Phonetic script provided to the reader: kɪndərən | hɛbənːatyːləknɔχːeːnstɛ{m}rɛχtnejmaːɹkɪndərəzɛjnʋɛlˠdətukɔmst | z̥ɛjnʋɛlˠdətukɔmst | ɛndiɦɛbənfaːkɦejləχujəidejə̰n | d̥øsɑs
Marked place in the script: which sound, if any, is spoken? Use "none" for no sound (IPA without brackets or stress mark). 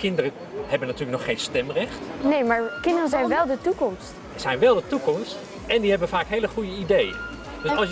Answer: m